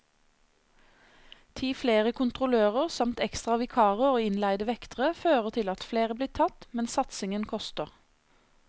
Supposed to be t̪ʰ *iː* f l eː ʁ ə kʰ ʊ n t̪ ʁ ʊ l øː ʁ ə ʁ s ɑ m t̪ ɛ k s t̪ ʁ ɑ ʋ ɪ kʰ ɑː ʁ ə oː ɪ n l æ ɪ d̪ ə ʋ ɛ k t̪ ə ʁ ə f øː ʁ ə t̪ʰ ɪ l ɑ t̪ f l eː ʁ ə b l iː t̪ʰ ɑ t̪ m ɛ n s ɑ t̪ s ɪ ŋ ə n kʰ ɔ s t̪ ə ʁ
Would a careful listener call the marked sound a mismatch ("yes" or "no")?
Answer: no